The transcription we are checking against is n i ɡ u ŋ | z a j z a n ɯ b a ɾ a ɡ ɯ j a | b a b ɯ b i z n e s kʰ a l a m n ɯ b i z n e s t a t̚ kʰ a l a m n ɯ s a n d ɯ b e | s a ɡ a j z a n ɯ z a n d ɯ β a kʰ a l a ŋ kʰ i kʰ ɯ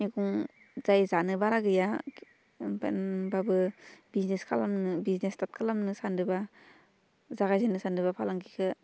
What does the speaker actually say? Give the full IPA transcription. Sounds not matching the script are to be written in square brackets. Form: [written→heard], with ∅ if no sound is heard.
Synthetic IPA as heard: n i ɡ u ŋ | z a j z a n ɯ b a ɾ a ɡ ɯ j a | b a b ɯ b i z n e s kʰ a l a m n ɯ b i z n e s t a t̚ kʰ a l a m n ɯ s a n d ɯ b [e→a] | [s→z] a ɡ a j z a n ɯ [z→s] a n d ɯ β a [kʰ→pʰ] a l a ŋ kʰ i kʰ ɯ